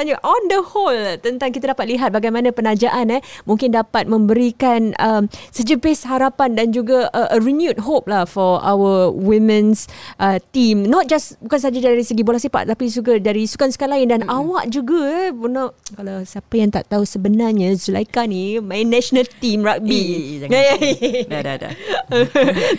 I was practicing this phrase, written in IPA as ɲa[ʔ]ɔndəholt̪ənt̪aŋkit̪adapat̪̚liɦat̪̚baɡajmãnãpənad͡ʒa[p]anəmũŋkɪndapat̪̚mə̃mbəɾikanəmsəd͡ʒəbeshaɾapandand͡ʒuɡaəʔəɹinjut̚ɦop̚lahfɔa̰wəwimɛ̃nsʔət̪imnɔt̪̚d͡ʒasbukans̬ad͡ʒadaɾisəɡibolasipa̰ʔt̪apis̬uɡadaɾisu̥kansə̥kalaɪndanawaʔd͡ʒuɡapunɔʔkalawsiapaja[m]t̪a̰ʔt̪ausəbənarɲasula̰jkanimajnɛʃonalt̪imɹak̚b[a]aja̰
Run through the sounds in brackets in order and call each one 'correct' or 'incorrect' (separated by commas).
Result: correct, incorrect, incorrect, incorrect